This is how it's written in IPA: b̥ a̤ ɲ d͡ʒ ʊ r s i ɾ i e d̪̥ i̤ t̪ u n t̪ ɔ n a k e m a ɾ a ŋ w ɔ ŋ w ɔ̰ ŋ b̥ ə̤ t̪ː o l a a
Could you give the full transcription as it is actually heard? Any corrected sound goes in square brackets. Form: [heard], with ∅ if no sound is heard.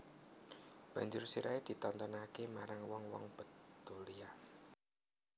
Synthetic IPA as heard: b̥ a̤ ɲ d͡ʒ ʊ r s i ɾ [a] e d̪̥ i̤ t̪ [ɔ] n t̪ ɔ n a k e m a ɾ a ŋ w ɔ ŋ w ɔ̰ ŋ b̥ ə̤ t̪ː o l [i] a

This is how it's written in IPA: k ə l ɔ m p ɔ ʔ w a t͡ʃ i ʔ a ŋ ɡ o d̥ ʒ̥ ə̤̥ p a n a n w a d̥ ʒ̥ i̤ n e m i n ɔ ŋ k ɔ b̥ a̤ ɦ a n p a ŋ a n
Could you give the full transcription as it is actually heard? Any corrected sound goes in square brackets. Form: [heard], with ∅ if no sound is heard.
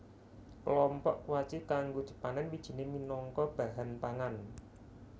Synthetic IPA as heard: k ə l ɔ m p ɔ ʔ w a t͡ʃ i [k] a ŋ ɡ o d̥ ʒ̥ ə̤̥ p a n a n w [i] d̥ ʒ̥ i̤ n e m i n ɔ ŋ k ɔ b̥ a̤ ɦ a n p a ŋ a n

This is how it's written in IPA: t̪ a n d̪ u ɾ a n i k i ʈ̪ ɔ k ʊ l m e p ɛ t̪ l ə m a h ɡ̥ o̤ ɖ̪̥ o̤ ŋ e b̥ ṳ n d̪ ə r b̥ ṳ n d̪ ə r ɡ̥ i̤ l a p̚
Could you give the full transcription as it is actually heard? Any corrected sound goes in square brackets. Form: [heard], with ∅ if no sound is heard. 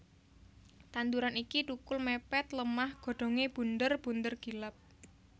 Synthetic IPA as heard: t̪ a n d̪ u ɾ a n i k i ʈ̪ [u] k ʊ l m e p ɛ t̪ l ə m a h ɡ̥ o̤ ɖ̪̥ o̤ ŋ e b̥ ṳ n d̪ ə r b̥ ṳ n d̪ ə r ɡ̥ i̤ l a p̚

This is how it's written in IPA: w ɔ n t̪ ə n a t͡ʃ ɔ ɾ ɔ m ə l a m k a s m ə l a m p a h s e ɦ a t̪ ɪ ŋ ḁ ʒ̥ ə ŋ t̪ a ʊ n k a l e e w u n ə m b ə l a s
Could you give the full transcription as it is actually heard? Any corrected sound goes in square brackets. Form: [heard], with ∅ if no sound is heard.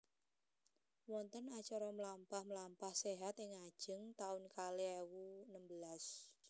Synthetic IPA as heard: w ɔ n t̪ ə n a t͡ʃ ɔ ɾ ɔ m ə l a m [p] a [h] m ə l a m p a h s e ɦ a t̪ ɪ ŋ ḁ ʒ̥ ə ŋ t̪ a ʊ n k a l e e w u n ə m b ə l a s

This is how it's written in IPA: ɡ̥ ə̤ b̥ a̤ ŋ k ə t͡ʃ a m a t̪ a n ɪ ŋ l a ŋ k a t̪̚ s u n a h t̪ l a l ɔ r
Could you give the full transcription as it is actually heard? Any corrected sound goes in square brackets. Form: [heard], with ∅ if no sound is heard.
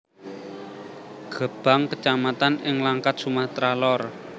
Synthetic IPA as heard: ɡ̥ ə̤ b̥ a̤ ŋ k ə t͡ʃ a m a t̪ a n ɪ ŋ l a ŋ k a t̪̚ s u [m] a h t̪ [ɾ] a l ɔ r

